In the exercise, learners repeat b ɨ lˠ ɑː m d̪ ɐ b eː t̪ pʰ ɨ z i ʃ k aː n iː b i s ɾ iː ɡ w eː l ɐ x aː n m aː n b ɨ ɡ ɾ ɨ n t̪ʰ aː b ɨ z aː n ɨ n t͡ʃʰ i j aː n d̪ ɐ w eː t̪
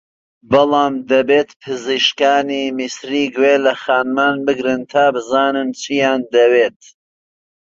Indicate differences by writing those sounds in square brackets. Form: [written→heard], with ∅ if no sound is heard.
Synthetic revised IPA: b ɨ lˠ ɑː m d̪ ɐ b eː t̪ pʰ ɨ z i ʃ k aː n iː [b→m] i s ɾ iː ɡ w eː l ɐ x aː n m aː n b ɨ ɡ ɾ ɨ n t̪ʰ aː b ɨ z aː n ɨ n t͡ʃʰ i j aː n d̪ ɐ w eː t̪